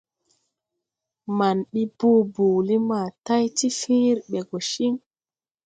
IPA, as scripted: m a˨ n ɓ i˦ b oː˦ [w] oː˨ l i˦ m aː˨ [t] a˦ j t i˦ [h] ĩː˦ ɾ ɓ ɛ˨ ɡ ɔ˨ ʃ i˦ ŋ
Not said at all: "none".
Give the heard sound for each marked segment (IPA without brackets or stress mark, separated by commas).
b, t, f